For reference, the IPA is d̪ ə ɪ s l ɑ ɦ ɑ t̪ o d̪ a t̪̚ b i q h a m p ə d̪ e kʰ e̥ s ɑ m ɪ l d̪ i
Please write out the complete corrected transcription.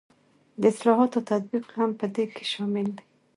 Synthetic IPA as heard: d̪ ə ɪ s l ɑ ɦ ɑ t̪ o t̪ a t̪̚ b i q h a m p ə d̪ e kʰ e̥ ʃ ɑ m ɪ l d̪ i